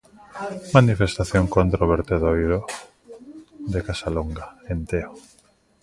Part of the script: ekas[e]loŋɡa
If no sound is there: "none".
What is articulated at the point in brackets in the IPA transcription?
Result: a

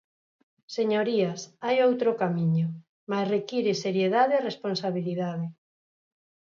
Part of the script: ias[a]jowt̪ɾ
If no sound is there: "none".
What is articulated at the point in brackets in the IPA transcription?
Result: a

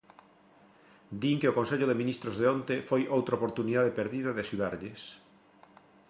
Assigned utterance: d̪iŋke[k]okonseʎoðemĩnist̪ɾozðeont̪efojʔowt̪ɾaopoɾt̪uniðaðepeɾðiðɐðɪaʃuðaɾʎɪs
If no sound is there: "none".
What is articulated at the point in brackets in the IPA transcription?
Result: none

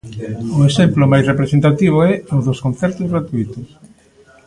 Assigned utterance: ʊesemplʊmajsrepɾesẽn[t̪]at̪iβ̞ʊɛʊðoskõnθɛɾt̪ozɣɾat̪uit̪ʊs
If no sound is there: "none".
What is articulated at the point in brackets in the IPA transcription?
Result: t̪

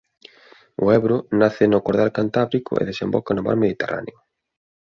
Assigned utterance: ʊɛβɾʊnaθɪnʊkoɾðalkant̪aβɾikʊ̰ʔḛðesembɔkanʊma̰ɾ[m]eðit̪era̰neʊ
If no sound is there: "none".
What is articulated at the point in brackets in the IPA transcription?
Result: m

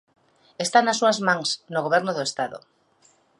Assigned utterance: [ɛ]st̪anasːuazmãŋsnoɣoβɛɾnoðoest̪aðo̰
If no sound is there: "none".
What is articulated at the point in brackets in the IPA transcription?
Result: e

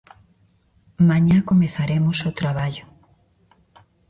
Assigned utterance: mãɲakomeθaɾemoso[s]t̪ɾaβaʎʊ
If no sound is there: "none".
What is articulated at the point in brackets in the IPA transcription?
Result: none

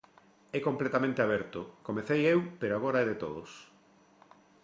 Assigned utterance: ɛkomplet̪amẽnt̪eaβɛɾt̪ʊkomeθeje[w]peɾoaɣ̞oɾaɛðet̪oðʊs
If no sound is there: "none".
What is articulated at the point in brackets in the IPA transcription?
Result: w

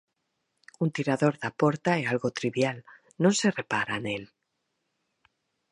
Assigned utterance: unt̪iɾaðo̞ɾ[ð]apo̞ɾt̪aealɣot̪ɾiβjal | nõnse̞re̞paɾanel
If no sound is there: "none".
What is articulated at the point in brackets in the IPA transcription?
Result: ð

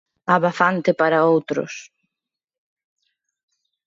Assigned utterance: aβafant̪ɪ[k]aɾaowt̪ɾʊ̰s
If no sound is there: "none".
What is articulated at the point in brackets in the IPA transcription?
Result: p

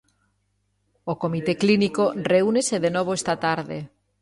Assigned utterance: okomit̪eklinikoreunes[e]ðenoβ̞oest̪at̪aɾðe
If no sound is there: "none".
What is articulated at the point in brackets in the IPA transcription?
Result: e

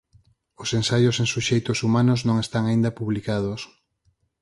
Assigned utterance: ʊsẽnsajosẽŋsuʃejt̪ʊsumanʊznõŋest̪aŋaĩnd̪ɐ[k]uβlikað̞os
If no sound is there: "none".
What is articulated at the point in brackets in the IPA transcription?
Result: p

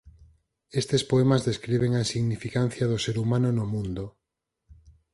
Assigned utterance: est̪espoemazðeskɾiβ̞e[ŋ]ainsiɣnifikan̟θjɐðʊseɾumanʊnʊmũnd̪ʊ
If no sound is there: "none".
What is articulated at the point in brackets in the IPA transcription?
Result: ŋ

